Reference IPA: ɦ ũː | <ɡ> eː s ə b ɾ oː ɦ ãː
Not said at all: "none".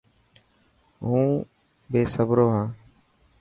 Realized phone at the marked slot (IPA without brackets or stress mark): b